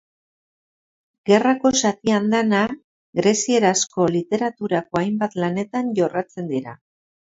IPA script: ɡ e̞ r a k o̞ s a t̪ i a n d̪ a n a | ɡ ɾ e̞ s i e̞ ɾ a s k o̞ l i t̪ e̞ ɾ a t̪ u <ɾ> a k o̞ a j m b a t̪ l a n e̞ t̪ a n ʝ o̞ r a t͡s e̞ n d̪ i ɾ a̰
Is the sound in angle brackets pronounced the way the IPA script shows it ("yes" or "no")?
yes